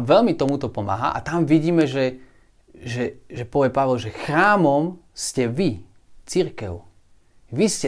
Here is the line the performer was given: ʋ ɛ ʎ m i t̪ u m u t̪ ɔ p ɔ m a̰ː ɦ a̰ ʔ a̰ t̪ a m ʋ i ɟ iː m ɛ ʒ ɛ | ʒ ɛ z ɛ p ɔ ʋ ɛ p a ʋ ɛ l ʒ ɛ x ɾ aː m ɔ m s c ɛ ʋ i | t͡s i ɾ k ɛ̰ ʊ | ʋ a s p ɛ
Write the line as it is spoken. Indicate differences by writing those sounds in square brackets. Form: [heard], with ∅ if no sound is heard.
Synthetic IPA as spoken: ʋ ɛ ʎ m i t̪ [ɔ] m u t̪ ɔ p ɔ m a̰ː ɦ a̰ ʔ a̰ t̪ a m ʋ i ɟ iː m ɛ ʒ ɛ | ʒ ɛ [ʒ] ɛ p ɔ ʋ ɛ p a ʋ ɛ l ʒ ɛ x ɾ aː m ɔ m s c ɛ ʋ i | t͡s i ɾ k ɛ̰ ʊ | ʋ [i] s [c] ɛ